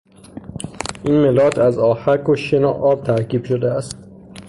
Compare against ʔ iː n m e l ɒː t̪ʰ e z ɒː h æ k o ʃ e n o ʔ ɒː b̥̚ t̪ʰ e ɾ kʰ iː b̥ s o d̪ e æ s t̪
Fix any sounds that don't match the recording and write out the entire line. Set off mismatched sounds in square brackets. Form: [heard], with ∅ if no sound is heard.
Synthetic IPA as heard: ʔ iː n m e l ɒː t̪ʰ [æ] z ɒː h æ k o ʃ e n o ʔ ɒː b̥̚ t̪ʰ [æ] ɾ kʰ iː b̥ [ʃ] o d̪ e æ s t̪